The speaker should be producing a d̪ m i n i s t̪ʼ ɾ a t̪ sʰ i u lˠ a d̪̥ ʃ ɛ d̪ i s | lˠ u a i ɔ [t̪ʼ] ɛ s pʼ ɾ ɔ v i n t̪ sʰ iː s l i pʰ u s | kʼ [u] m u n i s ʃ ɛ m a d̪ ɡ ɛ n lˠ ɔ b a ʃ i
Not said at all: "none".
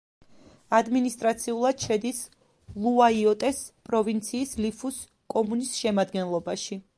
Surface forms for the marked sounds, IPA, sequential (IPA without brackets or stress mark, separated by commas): t̪ʼ, ɔ